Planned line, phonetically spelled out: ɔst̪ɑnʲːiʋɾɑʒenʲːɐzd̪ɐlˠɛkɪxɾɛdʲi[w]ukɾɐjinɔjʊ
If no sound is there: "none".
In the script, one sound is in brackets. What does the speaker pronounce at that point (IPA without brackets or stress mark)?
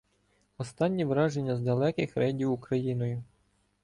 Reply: w